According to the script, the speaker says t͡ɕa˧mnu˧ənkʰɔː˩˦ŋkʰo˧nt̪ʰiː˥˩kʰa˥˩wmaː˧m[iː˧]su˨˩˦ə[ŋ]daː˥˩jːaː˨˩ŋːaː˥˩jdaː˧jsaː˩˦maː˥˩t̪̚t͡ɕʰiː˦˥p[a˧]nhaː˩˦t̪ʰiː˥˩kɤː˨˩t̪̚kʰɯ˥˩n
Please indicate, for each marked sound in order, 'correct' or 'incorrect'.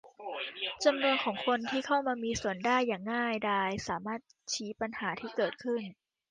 correct, incorrect: n, correct

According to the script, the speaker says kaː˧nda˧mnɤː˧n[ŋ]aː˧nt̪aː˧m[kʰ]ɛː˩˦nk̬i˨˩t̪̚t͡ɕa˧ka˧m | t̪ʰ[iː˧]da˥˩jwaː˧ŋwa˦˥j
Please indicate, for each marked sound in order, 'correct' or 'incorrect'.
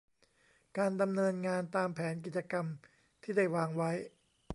correct, incorrect: pʰ, incorrect: iː˥˩

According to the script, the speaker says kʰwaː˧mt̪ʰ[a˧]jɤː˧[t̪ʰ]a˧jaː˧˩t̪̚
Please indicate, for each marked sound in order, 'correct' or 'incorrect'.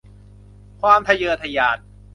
correct, correct

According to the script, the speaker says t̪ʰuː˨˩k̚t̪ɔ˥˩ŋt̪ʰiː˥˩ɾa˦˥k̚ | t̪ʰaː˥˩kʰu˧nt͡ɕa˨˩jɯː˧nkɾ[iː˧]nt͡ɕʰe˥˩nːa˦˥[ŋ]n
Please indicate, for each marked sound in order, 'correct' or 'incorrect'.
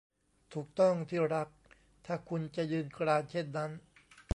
incorrect: aː˧, incorrect: none

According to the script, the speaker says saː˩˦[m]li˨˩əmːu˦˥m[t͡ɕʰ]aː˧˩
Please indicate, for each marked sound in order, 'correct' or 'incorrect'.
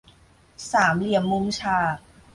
correct, correct

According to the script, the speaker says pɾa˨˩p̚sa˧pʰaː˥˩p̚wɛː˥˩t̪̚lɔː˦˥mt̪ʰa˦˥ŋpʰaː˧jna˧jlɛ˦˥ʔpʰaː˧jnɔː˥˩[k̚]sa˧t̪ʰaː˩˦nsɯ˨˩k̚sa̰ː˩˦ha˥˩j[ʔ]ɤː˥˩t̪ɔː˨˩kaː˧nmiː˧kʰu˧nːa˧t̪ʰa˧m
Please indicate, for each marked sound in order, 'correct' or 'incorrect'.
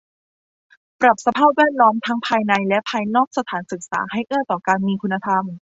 correct, correct

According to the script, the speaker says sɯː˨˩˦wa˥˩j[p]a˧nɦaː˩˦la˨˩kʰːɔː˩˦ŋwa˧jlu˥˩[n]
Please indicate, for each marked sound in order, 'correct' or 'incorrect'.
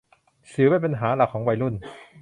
correct, correct

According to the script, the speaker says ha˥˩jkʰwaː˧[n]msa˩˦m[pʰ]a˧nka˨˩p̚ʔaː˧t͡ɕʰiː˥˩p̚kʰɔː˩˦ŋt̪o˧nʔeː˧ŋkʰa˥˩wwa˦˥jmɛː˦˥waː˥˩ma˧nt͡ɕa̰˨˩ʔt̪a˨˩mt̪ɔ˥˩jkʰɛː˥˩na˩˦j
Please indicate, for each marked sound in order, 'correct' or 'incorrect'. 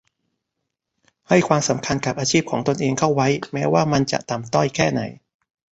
incorrect: none, incorrect: kʰ

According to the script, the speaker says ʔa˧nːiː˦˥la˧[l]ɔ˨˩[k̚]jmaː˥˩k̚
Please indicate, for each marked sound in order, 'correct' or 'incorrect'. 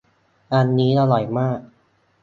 correct, incorrect: none

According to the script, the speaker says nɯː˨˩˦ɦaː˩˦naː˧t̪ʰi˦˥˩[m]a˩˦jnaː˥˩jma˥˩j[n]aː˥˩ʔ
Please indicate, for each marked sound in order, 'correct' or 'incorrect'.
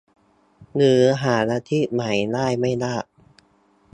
correct, correct

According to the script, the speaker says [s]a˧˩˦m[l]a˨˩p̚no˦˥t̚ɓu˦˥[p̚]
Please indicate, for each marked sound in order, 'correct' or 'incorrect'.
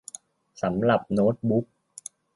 correct, correct, incorrect: k̚

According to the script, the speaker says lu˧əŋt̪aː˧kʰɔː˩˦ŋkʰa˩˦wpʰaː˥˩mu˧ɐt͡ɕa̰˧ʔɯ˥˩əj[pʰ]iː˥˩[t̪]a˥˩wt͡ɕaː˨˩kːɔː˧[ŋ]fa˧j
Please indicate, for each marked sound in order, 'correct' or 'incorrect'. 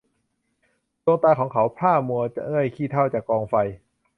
incorrect: kʰ, incorrect: t̪ʰ, correct

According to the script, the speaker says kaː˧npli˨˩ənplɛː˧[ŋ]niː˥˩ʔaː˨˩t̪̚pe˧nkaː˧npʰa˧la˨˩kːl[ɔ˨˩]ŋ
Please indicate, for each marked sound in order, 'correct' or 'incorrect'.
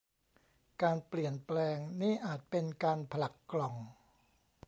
correct, correct

